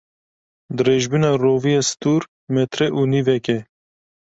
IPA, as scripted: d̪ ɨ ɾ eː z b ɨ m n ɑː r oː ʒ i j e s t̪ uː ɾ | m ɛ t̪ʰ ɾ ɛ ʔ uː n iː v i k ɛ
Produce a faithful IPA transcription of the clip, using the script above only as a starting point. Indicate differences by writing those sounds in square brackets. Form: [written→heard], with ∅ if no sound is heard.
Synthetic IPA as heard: d̪ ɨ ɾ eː [z→ʒ] b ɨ [m→∅] n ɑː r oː [ʒ→v] i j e s t̪ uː ɾ | m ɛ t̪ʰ ɾ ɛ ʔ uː n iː v [i→ɛ] k ɛ